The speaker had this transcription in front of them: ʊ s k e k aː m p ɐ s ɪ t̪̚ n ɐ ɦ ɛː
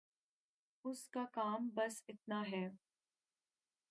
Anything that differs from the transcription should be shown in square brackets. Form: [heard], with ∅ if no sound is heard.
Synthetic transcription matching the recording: ʊ s k [a] k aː m [b] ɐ s ɪ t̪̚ n [a] ɦ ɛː